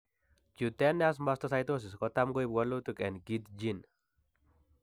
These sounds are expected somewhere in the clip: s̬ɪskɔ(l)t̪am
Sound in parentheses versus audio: incorrect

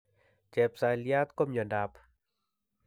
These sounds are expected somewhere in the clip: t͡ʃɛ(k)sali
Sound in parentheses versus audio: incorrect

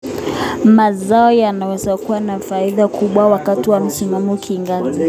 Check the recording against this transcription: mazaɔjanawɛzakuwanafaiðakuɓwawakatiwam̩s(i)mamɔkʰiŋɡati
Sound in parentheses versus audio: correct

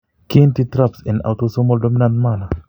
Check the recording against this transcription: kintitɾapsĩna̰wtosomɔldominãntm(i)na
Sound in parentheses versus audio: incorrect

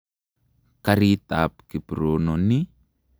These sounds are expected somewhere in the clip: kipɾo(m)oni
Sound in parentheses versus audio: incorrect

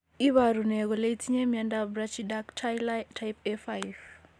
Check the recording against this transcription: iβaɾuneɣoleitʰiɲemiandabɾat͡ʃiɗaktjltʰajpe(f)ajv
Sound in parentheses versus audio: correct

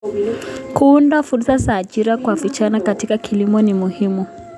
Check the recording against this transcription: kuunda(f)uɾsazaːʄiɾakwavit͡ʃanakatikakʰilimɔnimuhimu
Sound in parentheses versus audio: correct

